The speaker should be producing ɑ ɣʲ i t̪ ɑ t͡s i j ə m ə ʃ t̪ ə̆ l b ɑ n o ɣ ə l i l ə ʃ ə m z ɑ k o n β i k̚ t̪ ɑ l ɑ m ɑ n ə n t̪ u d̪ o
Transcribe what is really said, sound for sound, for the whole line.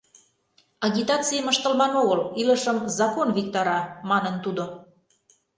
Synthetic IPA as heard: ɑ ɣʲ i t̪ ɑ t͡s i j ə m ə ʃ t̪ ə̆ l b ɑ n o ɣ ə l i l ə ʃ ə m z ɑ k o n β i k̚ t̪ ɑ ɾ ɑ m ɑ n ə n t̪ u d̪ o